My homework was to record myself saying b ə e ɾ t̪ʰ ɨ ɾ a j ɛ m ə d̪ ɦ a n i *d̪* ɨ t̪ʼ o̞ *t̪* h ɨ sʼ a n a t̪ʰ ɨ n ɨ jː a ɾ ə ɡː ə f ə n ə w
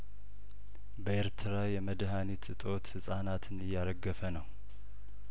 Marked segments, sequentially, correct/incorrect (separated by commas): incorrect, correct